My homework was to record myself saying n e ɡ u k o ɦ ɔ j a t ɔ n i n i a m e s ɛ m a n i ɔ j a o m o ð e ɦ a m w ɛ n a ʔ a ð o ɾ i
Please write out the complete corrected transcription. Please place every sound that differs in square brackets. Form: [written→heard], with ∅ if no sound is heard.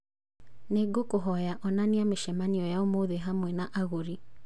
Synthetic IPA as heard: n e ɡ [u→o] k o ɦ ɔ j a [t→ʔ] ɔ n [i→a] n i a m e [s→ʃ] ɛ m a n i ɔ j a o m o ð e ɦ a m w ɛ n a ʔ a [ð→ɣ] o ɾ i